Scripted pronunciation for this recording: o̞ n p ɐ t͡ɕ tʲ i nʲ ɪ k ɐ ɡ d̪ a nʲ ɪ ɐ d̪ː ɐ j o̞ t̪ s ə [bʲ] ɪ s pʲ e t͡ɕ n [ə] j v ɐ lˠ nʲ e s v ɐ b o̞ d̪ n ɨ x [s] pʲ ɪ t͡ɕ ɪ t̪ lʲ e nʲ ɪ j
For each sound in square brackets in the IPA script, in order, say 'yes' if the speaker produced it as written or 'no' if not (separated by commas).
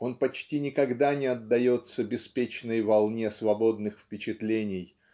yes, yes, no